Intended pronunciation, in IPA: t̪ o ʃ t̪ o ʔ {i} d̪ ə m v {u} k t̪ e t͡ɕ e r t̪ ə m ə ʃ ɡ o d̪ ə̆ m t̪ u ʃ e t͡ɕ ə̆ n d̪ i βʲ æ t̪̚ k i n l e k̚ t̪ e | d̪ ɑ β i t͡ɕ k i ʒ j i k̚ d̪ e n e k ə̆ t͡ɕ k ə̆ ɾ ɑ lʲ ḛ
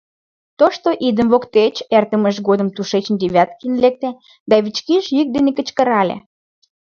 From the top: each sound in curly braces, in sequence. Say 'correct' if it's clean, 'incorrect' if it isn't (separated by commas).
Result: correct, incorrect